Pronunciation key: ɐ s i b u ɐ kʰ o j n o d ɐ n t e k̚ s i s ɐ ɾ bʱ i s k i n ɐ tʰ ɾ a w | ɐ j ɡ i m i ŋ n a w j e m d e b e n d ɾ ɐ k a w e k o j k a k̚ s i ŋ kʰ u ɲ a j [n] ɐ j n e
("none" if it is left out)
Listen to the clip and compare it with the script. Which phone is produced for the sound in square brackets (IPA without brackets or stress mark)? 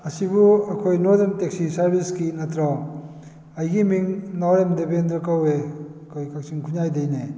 d